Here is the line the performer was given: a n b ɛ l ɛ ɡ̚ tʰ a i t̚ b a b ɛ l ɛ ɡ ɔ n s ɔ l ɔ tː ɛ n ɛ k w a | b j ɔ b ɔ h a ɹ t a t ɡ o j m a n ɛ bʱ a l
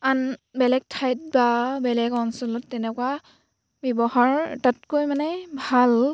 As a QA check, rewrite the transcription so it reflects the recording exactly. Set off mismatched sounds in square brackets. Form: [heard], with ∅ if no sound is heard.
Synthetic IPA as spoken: a n b ɛ l ɛ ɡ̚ tʰ a [j] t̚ b a b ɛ l ɛ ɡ ɔ n s ɔ l ɔ tː ɛ n ɛ k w a | b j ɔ b ɔ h a ɹ t a t [k] o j m a n ɛ bʱ a l